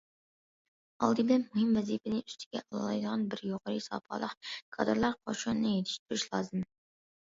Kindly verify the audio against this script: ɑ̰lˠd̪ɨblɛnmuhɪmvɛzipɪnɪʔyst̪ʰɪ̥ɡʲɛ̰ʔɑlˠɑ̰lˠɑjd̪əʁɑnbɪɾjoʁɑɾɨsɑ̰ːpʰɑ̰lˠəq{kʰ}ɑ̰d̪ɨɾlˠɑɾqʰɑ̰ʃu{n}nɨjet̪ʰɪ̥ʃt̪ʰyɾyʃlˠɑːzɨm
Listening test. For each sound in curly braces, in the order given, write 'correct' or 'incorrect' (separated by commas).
correct, correct